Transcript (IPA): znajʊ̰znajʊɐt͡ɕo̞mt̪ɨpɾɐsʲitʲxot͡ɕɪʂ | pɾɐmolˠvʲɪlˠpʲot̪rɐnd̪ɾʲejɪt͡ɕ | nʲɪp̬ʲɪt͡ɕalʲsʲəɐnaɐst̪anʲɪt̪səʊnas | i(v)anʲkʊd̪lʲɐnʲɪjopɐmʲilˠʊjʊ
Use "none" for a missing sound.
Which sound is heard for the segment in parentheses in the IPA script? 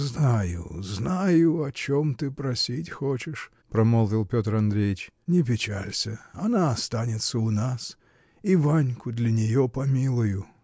v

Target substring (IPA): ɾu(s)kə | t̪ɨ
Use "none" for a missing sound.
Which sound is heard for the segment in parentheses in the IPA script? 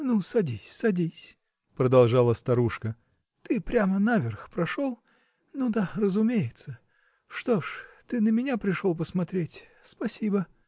ʂ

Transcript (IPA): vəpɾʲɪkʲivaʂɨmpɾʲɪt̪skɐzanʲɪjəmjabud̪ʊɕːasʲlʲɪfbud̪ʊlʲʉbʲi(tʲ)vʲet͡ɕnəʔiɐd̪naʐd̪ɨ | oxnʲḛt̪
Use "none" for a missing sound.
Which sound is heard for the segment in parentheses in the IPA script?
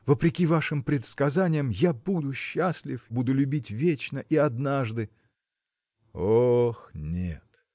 tʲ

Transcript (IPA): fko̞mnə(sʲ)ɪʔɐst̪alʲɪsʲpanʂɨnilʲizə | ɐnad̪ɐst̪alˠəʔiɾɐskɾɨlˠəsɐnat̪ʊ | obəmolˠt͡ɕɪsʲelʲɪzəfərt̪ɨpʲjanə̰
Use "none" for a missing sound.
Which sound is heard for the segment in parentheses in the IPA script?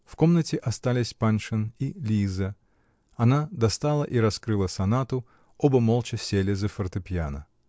tʲ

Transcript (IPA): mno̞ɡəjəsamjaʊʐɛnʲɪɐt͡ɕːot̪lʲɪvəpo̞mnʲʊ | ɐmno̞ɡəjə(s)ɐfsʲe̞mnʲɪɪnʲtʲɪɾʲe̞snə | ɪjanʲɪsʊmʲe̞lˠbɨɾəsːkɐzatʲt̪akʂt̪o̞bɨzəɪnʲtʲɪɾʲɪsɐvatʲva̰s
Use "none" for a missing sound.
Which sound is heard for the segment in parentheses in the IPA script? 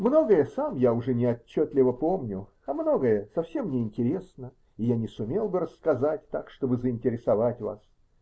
s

